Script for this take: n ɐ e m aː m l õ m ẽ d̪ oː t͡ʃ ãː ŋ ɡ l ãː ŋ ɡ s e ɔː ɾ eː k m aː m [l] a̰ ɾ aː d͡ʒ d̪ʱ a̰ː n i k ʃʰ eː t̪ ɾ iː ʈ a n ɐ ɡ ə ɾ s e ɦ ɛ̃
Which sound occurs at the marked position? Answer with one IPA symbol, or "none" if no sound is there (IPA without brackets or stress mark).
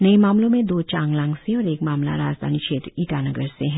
l